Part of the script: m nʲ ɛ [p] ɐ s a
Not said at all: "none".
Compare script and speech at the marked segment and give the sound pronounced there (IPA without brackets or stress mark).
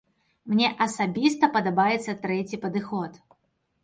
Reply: ʔ